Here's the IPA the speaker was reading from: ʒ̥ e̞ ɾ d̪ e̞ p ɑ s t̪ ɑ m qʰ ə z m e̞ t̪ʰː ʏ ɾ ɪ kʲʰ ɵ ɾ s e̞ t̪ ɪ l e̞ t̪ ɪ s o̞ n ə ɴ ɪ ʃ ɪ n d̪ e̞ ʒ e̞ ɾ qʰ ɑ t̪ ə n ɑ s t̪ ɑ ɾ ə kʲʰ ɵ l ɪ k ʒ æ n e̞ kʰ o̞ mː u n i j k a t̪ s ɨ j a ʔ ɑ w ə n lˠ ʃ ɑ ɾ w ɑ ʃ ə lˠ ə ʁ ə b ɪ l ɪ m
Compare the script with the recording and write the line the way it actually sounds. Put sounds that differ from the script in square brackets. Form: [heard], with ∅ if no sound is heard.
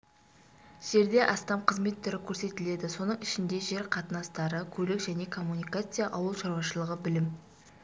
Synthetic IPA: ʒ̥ e̞ ɾ d̪ e̞ [ʔ] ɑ s t̪ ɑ m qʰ ə z m e̞ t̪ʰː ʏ ɾ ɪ kʲʰ ɵ ɾ s e̞ t̪ ɪ l e̞ [d̪] ɪ s o̞ n ə ɴ ɪ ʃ ɪ n d̪ e̞ ʒ e̞ ɾ qʰ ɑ t̪ ə n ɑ s t̪ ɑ ɾ ə kʲʰ ɵ l ɪ k ʒ æ n e̞ kʰ o̞ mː u n i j k a t̪ s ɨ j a ʔ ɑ w ə [∅] lˠ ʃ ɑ ɾ w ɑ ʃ ə lˠ ə ʁ ə b ɪ l ɪ m